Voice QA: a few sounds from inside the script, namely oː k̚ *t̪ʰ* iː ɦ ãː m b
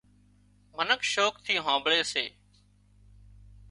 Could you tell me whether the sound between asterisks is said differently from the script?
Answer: no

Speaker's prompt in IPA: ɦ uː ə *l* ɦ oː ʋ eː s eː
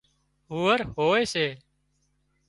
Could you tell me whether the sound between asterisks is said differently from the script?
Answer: yes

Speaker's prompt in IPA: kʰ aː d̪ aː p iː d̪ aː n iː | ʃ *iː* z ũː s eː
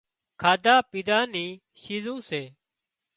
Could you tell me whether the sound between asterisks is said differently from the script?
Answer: no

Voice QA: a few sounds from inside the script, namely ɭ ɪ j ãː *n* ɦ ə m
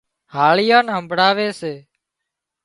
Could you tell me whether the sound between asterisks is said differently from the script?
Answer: no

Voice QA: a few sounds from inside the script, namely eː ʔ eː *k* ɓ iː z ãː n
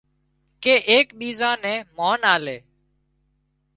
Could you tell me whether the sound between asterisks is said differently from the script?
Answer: no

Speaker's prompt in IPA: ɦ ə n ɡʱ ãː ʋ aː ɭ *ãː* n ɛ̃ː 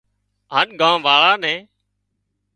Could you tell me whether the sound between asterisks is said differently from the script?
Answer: yes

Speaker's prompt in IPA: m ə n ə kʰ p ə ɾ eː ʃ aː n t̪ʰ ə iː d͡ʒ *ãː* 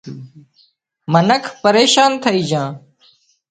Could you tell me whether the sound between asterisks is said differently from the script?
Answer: no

